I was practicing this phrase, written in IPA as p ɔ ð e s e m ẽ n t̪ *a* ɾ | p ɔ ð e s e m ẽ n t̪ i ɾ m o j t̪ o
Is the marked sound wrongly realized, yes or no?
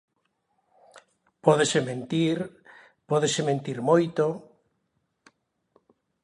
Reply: yes